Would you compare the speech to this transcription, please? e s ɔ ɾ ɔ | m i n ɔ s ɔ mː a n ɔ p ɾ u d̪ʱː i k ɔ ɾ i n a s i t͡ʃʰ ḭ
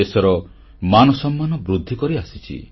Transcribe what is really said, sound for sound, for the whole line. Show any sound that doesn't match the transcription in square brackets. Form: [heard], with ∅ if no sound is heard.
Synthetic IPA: e s ɔ ɾ ɔ | m [a] n ɔ s ɔ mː a n ɔ [b] ɾ u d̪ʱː i k ɔ ɾ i [∅] a s i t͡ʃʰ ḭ